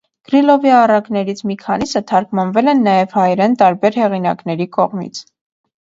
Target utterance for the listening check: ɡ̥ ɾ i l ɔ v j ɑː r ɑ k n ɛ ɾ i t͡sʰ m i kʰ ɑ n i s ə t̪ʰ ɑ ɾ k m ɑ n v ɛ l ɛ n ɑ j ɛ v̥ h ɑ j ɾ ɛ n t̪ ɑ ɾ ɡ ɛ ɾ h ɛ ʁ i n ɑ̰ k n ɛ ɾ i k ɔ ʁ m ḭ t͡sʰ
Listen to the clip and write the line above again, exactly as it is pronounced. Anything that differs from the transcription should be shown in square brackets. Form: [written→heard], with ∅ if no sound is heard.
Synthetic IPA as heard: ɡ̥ ɾ i l ɔ v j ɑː r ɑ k n ɛ ɾ i t͡sʰ m i kʰ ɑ n i s ə t̪ʰ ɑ ɾ k m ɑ n v ɛ l ɛ [n→nː] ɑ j ɛ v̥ h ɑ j ɾ ɛ n t̪ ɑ ɾ [ɡ→b] ɛ ɾ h ɛ ʁ i n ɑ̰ k n ɛ ɾ i k ɔ ʁ m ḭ t͡sʰ